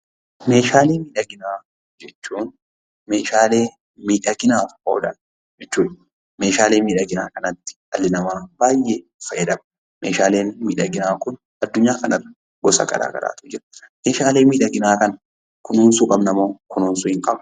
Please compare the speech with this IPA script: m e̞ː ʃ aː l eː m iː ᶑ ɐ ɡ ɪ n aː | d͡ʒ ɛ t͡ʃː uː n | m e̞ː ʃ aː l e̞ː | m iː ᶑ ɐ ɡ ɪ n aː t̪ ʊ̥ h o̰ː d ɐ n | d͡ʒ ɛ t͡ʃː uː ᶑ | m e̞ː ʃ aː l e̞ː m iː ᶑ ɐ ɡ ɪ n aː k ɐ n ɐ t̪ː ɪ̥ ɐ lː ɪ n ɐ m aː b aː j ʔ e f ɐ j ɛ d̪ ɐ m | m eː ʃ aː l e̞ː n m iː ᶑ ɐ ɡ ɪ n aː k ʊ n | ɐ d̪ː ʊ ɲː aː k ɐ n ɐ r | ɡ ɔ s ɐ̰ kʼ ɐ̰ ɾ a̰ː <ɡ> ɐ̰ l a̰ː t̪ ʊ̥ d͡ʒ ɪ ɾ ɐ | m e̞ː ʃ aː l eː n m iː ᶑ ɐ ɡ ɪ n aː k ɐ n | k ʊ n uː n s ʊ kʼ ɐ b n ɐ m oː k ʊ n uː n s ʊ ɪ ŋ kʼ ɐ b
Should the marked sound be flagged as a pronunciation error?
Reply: no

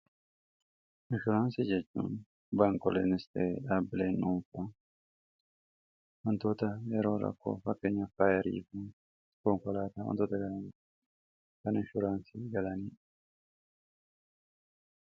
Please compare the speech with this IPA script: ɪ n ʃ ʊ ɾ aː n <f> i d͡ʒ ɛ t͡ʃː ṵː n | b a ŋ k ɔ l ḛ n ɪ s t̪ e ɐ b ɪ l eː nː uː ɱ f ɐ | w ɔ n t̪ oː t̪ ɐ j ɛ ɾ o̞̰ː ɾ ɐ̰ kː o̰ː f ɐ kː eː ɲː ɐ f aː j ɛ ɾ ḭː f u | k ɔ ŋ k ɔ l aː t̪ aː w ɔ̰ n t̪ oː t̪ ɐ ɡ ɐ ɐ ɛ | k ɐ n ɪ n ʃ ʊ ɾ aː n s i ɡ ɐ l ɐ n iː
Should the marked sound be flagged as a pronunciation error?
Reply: yes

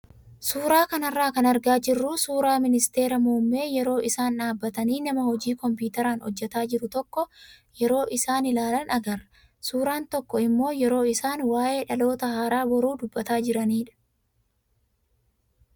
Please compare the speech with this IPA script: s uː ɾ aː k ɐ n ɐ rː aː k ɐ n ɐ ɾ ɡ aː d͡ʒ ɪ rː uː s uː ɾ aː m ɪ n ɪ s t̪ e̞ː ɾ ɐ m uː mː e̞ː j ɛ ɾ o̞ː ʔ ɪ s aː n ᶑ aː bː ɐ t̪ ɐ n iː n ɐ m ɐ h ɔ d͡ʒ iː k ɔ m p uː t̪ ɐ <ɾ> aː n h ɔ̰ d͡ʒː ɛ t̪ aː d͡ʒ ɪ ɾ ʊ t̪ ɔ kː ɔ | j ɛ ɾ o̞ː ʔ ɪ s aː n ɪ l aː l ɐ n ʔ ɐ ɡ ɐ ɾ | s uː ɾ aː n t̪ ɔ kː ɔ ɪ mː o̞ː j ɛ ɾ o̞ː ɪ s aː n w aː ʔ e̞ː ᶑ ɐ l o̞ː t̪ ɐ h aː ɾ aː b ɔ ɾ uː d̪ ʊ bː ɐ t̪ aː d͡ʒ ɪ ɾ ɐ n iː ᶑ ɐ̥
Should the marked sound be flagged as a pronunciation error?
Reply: no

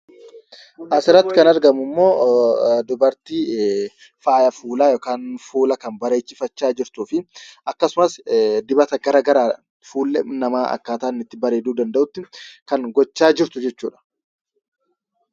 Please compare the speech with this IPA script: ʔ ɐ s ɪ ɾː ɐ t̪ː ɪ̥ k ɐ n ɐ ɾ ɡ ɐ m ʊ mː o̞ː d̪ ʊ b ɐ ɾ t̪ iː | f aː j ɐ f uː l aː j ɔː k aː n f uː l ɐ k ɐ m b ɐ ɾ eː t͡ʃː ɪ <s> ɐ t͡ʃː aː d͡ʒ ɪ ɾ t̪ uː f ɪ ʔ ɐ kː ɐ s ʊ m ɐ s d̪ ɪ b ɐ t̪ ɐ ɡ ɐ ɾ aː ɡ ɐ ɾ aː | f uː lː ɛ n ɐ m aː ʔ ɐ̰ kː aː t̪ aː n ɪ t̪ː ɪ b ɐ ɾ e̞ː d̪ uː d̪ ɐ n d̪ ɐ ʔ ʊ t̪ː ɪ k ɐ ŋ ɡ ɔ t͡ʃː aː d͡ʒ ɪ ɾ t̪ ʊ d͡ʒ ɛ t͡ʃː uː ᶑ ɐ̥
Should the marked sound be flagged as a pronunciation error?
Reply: yes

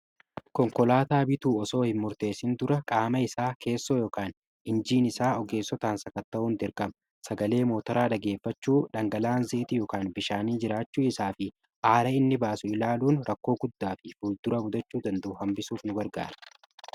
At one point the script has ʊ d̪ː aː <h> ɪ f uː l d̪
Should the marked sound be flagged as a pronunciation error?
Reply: yes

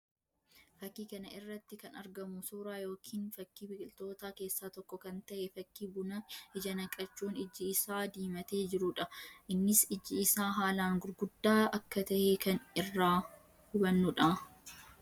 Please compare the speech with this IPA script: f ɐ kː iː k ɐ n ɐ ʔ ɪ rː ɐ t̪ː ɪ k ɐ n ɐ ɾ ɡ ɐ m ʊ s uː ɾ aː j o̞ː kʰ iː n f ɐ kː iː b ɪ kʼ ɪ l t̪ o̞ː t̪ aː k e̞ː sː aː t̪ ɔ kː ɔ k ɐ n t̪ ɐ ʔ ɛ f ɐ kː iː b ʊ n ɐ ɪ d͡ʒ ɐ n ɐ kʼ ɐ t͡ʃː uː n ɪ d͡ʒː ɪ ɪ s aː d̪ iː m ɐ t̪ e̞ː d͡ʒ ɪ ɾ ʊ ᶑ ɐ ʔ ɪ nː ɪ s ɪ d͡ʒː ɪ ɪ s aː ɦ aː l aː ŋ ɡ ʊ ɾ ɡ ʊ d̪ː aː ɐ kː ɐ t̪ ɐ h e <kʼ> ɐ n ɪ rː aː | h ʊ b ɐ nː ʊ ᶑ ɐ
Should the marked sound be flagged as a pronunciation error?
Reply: yes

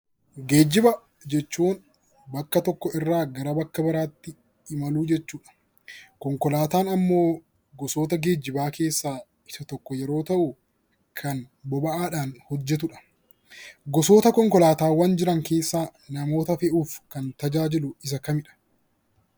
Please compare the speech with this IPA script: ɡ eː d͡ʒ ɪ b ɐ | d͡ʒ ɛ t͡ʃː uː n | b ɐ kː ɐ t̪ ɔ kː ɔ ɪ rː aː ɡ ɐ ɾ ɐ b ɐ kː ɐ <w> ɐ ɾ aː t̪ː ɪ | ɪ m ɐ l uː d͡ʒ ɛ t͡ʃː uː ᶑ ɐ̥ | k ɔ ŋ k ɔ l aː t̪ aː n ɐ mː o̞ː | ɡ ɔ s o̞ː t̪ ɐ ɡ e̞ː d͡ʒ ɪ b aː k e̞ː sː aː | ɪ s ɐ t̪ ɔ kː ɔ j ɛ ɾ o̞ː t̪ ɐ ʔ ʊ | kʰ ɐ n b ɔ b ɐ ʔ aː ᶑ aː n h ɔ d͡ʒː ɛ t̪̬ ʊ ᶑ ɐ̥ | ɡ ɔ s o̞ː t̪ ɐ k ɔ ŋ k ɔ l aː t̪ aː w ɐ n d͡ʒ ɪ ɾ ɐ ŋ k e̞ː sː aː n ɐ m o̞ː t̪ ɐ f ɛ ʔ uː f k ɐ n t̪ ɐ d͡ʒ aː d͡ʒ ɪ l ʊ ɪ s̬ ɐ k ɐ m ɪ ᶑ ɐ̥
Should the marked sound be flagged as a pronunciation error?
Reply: yes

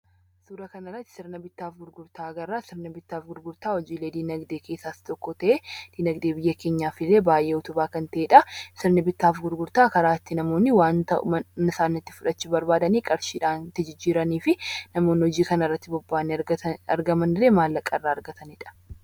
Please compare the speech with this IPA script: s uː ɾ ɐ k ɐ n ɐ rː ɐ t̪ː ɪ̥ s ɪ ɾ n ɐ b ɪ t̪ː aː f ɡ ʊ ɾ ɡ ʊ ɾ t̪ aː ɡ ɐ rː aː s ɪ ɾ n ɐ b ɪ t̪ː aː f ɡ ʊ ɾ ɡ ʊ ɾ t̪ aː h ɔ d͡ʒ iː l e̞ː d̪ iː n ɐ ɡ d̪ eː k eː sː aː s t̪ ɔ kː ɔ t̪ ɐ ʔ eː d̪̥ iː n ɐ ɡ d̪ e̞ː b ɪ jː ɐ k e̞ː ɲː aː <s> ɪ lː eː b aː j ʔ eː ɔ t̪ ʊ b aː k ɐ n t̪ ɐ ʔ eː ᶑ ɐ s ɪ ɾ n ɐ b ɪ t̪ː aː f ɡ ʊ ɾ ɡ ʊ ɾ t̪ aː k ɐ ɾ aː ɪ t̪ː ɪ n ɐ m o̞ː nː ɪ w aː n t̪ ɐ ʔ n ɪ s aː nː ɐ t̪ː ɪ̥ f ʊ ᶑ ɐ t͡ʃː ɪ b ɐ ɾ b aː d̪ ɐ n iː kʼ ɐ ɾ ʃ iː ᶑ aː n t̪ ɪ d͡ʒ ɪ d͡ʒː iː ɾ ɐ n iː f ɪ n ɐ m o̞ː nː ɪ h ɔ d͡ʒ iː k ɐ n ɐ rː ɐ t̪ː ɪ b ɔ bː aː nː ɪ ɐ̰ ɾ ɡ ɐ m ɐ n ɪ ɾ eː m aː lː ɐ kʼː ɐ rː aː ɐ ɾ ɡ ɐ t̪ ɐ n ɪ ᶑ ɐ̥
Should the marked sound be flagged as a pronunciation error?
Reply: yes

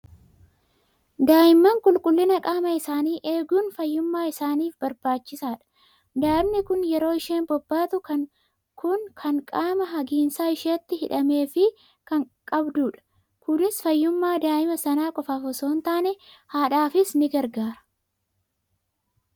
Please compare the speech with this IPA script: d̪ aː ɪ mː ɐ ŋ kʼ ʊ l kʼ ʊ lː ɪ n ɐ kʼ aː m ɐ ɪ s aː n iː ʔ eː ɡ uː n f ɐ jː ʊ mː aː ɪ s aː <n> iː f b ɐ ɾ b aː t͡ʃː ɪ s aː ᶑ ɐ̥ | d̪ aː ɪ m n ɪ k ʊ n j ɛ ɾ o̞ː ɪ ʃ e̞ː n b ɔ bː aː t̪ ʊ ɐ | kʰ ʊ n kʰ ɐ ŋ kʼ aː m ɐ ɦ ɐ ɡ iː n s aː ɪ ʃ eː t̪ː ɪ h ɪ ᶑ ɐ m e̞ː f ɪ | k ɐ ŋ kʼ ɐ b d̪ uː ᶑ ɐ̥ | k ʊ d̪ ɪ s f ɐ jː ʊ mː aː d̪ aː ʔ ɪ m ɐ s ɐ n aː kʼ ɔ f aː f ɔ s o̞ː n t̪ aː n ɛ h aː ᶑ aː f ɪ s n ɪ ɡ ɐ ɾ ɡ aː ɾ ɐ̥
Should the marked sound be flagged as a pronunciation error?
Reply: no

